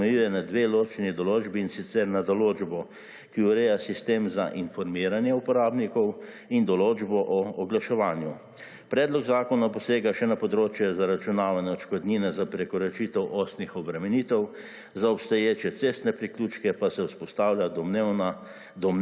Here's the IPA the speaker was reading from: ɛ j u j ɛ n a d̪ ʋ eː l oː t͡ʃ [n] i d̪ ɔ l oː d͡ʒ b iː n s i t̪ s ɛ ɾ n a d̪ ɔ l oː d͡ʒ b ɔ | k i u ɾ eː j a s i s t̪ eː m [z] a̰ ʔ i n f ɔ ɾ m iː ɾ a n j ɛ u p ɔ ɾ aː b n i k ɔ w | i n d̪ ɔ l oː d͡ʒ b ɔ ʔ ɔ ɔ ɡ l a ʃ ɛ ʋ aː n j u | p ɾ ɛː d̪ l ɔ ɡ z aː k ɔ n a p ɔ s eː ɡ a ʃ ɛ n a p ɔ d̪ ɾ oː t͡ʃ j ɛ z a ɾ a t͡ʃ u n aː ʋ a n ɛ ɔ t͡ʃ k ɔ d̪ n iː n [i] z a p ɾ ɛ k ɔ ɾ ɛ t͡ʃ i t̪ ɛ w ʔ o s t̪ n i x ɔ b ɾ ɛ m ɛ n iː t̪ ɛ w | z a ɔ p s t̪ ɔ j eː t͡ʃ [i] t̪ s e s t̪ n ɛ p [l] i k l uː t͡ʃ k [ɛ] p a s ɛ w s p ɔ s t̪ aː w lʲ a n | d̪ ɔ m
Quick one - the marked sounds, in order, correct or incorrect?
correct, correct, incorrect, incorrect, incorrect, correct

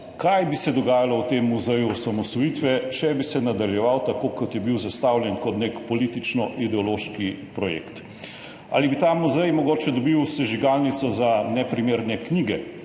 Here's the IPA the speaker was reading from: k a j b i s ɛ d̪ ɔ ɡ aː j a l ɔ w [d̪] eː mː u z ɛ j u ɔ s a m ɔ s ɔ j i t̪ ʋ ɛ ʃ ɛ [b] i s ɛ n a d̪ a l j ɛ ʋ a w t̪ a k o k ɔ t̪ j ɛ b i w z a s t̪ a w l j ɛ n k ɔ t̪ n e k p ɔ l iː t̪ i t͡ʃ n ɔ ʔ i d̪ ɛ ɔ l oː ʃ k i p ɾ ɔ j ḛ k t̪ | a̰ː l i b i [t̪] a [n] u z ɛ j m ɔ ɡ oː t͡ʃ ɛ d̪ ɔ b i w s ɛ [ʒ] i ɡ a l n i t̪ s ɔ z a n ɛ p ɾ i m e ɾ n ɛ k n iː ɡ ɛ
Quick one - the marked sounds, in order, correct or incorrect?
incorrect, correct, correct, incorrect, correct

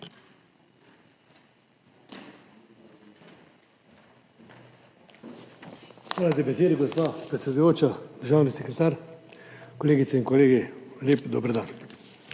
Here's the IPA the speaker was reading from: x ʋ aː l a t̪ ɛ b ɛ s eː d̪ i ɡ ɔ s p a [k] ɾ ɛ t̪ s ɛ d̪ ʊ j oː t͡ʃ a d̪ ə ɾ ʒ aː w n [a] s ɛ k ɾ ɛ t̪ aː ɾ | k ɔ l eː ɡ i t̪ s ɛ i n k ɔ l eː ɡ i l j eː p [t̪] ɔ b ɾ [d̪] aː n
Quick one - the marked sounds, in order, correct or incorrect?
incorrect, incorrect, incorrect, correct

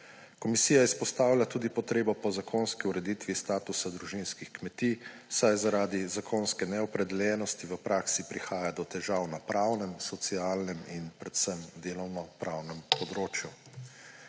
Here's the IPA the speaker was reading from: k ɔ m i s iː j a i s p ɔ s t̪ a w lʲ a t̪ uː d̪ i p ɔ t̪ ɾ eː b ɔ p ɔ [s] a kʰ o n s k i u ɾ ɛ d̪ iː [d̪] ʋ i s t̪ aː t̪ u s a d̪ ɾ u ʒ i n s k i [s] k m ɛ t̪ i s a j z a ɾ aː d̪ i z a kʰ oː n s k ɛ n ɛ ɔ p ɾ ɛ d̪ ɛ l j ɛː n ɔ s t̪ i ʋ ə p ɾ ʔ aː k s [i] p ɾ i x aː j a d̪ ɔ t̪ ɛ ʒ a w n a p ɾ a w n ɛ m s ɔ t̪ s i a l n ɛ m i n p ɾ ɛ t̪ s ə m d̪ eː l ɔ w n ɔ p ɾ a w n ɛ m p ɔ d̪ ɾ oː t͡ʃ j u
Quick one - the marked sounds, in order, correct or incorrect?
incorrect, incorrect, incorrect, correct

